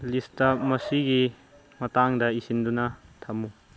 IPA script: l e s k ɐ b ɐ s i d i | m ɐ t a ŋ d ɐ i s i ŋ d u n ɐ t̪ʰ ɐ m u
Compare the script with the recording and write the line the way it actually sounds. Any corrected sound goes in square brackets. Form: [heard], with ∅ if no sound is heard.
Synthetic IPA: l [i] s [t] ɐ [m] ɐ s i [ɡ] i | m ɐ t a ŋ d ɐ i s i [n] d u n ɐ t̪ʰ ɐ m u